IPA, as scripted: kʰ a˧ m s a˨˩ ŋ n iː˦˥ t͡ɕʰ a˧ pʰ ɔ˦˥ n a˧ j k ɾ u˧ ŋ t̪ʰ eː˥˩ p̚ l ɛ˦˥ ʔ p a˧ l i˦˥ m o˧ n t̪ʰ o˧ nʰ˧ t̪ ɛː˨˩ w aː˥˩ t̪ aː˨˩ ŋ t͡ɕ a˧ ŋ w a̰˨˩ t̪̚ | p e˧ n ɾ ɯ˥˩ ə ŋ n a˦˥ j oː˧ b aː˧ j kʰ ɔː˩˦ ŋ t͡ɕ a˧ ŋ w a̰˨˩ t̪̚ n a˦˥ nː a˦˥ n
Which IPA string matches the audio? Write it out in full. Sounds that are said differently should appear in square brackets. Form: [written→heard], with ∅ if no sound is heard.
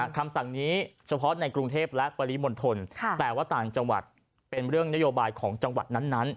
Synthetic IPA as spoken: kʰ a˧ m s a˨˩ ŋ n iː˦˥ t͡ɕʰ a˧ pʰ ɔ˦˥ n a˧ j k ɾ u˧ ŋ t̪ʰ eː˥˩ p̚ l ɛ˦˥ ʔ p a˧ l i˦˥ m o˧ n t̪ʰ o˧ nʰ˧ t̪ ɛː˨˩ w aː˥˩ t̪ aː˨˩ ŋ t͡ɕ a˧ ŋ w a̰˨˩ t̪̚ | p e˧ n ɾ ɯ˥˩ ə ŋ n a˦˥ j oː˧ b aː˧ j kʰ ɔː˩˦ ŋ t͡ɕ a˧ ŋ w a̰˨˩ t̪̚ n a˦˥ nː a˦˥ n